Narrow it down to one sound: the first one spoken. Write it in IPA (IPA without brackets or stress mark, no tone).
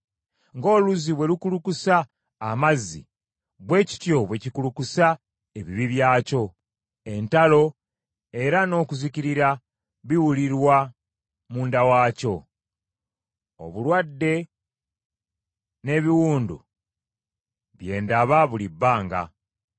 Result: ŋ